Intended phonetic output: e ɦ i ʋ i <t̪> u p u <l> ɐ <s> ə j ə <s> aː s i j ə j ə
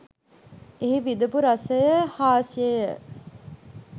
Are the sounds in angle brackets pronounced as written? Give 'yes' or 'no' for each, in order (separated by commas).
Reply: no, no, yes, no